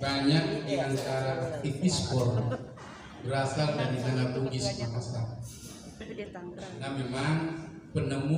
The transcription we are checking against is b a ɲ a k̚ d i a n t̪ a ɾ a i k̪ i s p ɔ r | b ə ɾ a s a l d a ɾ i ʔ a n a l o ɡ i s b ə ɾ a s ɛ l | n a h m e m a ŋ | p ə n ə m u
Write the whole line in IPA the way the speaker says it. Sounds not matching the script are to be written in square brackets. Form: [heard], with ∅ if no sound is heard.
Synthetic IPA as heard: b a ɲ a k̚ d i a n t̪ a ɾ a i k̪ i s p ɔ r | b ə ɾ a s a l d a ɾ i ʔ a n a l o ɡ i s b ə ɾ a s [a] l | n a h m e m a ŋ | p ə n ə m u

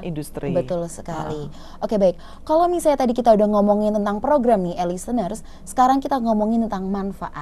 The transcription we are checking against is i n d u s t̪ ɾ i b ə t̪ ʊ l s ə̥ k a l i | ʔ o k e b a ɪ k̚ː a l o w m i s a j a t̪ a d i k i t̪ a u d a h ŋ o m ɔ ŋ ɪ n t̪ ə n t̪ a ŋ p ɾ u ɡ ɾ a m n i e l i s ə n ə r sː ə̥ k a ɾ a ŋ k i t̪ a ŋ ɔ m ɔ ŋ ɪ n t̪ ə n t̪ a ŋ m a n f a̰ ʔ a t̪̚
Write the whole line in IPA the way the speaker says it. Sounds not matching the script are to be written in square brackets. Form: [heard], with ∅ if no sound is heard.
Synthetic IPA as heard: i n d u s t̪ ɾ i b ə t̪ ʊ l s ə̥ k a l i | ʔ o k e b a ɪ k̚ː a l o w m i s a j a t̪ a d i k i t̪ a u d a h ŋ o m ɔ ŋ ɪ n t̪ ə n t̪ a ŋ p ɾ [o] ɡ ɾ a m n i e l i s ə n ə r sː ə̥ k a ɾ a ŋ k i t̪ a ŋ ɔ m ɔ ŋ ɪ n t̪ ə n t̪ a ŋ m a n f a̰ ʔ a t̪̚

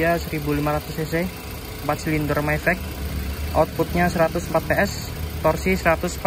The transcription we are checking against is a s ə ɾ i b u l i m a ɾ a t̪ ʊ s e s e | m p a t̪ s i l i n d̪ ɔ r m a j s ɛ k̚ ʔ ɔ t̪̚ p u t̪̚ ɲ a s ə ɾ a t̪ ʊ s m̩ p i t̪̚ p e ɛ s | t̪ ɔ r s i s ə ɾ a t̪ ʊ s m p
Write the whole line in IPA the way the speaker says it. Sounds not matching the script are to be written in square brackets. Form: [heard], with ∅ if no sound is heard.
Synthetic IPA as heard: a s ə ɾ i b u l i m a ɾ a t̪ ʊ s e s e | m p a t̪ s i l i n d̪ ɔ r m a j [f] ɛ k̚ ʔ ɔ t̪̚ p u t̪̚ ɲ a s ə ɾ a t̪ ʊ s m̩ p [a] t̪̚ p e ɛ s | t̪ ɔ r s i s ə ɾ a t̪ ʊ s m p

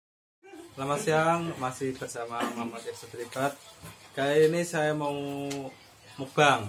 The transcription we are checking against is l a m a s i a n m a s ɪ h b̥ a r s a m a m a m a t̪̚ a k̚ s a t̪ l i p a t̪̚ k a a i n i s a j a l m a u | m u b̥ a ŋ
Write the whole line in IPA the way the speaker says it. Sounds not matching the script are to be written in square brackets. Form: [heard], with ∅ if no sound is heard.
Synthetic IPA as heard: l a m a s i a [ŋ] m a s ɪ h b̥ [ə] r s a m a m a m a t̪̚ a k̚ s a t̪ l i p a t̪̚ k a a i n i s a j a [∅] m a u | m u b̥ a ŋ

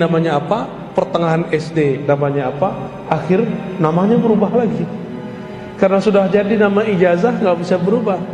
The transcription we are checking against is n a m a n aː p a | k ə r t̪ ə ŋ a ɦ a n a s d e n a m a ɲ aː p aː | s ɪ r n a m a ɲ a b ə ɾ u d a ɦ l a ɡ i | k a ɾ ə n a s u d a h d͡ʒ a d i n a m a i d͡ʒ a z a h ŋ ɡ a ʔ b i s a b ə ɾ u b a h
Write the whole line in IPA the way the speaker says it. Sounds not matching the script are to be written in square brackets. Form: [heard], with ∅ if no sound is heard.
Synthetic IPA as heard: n a m a [ɲ] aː p a | [p] ə r t̪ ə ŋ a ɦ a n [ɛ] s d e n a m a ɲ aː p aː | [x] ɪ r n a m a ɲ a b ə ɾ u [b] a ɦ l a ɡ i | k a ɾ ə n a s u d a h d͡ʒ a d i n a m a i d͡ʒ a z a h ŋ ɡ a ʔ b i s a b ə ɾ u b a h

